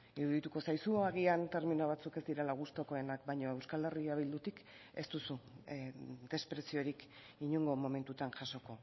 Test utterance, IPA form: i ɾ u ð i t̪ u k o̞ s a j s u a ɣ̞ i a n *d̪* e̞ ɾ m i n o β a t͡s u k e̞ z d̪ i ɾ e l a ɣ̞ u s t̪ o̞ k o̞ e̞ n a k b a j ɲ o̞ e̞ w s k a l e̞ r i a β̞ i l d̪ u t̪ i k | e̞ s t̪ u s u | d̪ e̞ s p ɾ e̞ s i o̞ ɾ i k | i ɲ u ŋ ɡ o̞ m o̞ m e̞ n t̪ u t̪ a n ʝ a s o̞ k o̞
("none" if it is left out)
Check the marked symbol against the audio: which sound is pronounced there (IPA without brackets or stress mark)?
t̪